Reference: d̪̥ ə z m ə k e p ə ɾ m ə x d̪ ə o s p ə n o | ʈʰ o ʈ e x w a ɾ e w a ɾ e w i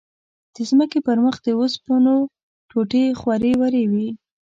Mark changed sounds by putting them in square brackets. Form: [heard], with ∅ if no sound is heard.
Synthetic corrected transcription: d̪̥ ə z m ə k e p ə ɾ m ə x d̪ ə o s p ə n o | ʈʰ o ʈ e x w a ɾ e w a ɾ e w i